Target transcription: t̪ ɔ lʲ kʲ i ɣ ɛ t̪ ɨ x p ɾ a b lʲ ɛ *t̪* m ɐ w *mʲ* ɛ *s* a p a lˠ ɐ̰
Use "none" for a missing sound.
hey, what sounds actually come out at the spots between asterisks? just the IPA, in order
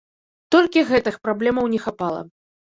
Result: none, nʲ, x

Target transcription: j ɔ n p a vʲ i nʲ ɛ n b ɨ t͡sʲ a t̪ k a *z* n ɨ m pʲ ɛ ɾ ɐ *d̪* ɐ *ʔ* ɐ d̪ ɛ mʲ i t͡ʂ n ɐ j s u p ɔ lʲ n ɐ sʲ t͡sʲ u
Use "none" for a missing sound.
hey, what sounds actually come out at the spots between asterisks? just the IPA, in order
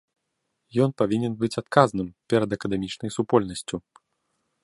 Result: z, d̪, k

